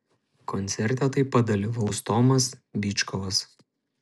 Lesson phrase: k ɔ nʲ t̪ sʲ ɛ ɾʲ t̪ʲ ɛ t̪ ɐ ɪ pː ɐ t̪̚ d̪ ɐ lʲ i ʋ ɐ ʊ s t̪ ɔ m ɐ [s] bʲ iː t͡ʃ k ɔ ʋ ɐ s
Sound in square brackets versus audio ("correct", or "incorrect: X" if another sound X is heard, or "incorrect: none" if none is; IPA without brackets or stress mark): correct